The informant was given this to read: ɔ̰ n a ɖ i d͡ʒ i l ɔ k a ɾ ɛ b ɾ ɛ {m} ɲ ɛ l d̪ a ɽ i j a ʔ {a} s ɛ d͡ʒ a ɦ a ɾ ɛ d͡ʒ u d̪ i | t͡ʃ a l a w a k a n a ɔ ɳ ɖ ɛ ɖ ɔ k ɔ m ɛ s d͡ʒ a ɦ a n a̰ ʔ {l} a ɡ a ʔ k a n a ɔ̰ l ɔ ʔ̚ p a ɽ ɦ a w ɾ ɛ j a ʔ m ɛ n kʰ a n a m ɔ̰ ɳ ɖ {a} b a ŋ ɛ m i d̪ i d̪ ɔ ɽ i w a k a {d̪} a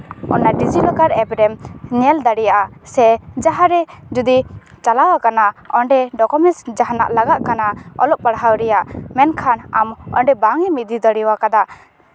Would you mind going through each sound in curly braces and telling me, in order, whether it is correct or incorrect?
correct, correct, correct, incorrect: ɛ, correct

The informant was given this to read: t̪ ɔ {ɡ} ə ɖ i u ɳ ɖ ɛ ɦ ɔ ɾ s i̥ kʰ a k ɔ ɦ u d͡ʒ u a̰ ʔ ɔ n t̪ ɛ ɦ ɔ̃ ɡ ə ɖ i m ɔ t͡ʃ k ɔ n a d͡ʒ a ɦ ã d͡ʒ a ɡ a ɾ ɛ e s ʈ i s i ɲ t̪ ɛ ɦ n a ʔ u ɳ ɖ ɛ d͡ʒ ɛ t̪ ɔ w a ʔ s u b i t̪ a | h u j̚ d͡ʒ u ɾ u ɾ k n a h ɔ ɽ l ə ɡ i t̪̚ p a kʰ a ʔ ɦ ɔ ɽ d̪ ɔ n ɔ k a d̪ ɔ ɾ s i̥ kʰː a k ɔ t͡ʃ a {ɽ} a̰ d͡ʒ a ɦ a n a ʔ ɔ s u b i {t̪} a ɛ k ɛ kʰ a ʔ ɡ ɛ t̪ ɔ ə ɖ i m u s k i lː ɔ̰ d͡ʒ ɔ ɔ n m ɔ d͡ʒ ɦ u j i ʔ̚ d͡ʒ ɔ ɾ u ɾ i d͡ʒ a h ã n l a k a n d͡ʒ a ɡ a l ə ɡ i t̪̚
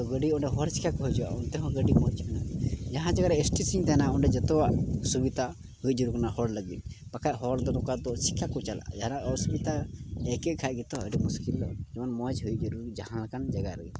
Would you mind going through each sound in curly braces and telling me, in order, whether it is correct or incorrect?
correct, incorrect: l, correct

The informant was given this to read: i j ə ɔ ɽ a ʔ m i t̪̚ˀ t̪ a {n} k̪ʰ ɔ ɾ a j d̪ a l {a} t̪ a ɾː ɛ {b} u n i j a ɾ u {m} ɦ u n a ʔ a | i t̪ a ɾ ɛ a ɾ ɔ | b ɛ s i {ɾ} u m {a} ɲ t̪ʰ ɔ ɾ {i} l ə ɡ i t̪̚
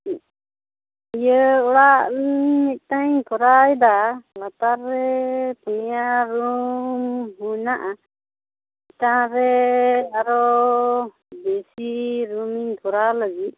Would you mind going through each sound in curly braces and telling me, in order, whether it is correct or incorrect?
incorrect: ɲ, correct, incorrect: p, correct, correct, incorrect: i, incorrect: a

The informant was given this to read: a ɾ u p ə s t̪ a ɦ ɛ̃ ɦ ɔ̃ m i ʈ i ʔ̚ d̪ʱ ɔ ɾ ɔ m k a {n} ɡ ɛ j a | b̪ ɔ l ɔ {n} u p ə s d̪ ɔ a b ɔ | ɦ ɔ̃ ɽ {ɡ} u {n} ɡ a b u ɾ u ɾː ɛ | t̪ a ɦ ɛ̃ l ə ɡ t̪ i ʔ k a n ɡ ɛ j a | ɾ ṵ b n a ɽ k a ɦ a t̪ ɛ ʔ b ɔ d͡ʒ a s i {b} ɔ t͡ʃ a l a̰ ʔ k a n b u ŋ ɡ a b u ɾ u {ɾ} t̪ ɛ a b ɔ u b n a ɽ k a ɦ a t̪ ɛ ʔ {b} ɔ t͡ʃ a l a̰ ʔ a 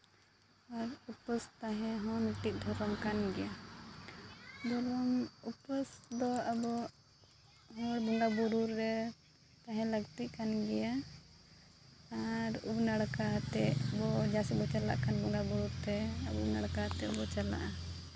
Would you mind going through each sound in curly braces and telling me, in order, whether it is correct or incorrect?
correct, incorrect: m, incorrect: b, incorrect: ŋ, correct, correct, correct

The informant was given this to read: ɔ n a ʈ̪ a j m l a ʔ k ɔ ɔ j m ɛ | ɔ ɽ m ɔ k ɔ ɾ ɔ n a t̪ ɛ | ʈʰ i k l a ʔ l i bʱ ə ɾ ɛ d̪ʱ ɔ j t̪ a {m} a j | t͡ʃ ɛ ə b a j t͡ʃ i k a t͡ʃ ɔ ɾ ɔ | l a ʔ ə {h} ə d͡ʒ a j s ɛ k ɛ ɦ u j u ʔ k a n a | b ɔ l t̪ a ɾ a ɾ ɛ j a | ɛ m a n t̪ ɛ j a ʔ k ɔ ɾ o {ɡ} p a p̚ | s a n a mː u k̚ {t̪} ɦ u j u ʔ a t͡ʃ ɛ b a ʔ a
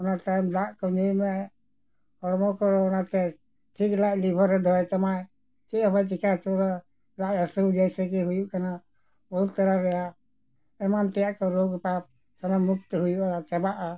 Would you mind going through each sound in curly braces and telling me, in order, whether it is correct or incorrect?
correct, incorrect: s, correct, correct

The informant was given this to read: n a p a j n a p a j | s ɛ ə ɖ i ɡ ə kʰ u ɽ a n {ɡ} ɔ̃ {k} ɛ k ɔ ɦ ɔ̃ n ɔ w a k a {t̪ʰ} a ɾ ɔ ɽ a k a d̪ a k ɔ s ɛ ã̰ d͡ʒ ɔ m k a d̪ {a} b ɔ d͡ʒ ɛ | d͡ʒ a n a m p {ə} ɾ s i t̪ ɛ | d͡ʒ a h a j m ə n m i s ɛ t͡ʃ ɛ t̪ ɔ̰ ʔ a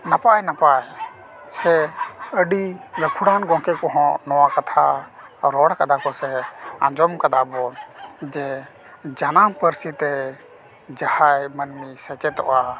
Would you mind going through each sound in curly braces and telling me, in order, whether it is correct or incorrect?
correct, correct, correct, correct, correct

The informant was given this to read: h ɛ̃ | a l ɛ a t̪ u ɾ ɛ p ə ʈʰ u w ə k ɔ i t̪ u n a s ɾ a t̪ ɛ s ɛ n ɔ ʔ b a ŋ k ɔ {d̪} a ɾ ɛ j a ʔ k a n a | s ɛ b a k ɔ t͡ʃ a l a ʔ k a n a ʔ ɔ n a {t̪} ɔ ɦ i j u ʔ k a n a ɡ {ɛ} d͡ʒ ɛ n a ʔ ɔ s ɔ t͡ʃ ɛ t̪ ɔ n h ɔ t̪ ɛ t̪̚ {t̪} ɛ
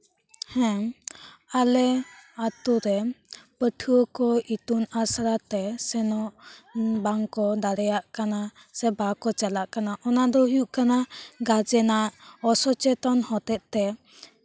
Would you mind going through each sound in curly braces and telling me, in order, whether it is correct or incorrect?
correct, incorrect: d̪, incorrect: a, correct

